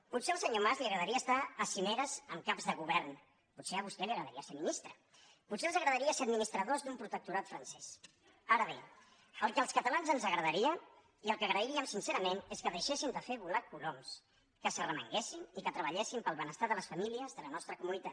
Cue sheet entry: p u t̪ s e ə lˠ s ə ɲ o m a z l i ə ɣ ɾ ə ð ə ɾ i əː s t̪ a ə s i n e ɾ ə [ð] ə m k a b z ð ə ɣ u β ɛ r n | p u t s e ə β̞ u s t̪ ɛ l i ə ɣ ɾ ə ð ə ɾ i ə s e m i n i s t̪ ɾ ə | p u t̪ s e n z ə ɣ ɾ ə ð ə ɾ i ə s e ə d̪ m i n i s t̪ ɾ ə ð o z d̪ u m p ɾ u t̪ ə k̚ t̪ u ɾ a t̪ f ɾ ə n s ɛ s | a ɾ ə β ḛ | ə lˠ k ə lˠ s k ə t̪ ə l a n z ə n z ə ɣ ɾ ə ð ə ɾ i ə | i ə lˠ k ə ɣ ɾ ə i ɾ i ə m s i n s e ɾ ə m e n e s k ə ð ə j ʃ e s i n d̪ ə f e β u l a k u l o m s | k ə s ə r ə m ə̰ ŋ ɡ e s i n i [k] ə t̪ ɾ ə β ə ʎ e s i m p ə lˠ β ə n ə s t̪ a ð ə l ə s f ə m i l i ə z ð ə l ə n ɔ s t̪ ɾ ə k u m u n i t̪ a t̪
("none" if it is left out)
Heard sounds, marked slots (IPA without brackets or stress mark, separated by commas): z, k